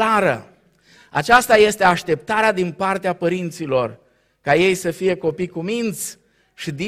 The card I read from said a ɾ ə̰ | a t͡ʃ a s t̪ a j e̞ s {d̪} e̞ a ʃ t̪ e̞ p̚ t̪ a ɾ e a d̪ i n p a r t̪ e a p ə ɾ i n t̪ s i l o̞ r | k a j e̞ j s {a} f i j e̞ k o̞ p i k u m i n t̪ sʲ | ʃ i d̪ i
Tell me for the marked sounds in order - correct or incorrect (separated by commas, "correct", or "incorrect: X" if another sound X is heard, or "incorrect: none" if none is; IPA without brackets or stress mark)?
incorrect: t̪, incorrect: ə